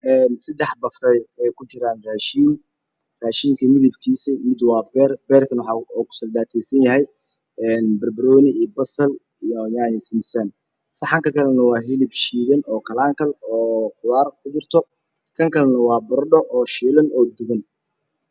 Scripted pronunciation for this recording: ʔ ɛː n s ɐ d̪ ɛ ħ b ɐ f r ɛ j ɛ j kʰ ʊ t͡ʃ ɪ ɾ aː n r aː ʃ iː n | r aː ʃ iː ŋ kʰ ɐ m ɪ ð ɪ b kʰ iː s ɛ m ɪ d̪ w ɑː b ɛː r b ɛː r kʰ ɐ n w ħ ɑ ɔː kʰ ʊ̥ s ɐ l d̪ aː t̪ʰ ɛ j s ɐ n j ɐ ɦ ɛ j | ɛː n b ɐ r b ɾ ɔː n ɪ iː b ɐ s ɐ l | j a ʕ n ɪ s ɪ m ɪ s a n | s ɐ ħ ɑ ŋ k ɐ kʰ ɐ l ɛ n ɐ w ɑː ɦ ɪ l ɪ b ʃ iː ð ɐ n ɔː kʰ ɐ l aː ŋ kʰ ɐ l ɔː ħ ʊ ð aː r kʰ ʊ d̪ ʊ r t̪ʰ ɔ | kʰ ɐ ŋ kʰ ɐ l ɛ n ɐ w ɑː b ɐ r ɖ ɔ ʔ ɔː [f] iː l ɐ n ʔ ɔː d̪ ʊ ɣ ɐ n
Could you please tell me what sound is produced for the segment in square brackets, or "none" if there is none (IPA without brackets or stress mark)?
ʃ